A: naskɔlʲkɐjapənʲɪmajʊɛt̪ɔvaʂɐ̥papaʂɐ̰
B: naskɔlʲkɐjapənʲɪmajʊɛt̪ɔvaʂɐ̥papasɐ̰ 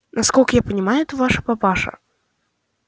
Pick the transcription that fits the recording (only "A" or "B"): A